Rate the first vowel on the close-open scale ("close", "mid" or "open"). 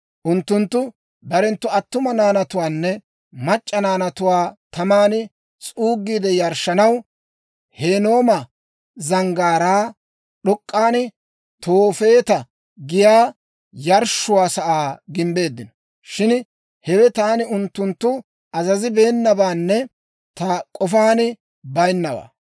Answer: close